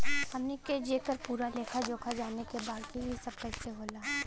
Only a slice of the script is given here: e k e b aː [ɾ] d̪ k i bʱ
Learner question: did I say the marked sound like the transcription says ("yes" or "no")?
no